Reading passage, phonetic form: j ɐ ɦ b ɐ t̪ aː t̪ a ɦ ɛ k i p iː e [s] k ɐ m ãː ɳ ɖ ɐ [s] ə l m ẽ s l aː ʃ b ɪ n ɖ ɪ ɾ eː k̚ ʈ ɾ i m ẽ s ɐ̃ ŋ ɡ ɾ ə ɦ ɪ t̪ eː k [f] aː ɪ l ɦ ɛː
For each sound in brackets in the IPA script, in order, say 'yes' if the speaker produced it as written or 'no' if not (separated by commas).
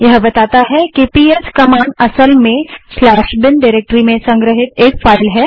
yes, yes, yes